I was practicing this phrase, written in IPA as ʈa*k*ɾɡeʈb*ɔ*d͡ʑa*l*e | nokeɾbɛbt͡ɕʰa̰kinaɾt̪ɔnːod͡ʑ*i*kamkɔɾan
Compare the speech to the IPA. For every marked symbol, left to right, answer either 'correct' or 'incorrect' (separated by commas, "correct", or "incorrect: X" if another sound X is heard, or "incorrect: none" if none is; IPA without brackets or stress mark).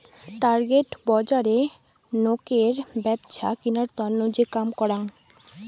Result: incorrect: none, correct, incorrect: ɾ, incorrect: e